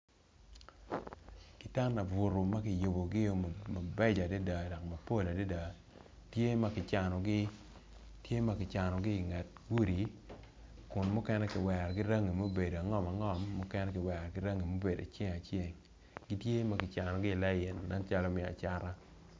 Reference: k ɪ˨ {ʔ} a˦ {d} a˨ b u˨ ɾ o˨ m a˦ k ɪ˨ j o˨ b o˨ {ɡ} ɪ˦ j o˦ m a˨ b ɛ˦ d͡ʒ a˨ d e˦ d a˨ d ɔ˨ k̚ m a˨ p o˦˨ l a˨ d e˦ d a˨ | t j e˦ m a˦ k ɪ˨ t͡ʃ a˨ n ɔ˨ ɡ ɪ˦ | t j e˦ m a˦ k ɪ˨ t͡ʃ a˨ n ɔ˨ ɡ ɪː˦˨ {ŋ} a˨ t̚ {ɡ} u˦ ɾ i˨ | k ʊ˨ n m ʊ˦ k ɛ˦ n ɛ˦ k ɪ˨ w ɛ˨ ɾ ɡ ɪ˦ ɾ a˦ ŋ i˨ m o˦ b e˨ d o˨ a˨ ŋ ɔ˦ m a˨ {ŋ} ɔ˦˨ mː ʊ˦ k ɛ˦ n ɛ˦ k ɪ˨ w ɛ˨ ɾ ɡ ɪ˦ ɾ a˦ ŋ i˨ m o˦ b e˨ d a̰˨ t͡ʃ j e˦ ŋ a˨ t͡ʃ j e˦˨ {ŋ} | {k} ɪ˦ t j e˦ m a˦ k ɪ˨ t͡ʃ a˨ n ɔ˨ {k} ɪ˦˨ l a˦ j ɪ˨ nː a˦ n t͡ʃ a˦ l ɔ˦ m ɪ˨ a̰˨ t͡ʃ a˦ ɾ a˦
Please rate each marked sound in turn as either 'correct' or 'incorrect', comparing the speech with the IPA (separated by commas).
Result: incorrect, incorrect, correct, correct, correct, correct, correct, incorrect, incorrect